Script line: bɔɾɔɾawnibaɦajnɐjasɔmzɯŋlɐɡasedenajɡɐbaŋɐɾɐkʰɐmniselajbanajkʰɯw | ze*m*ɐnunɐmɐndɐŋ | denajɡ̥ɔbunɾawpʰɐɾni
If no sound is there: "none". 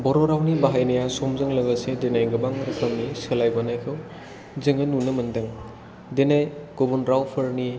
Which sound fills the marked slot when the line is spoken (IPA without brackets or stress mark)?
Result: ŋ